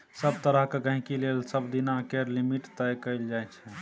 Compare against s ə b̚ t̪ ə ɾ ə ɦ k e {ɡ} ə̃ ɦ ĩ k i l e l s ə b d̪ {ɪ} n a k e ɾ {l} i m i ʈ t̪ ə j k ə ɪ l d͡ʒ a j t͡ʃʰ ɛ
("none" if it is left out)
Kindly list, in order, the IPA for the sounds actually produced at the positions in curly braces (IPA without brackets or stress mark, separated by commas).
ɡ, i, l